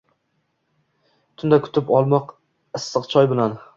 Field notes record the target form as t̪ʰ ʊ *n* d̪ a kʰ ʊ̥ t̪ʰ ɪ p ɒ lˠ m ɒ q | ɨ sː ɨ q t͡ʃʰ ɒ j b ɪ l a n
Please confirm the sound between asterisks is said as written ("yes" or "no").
yes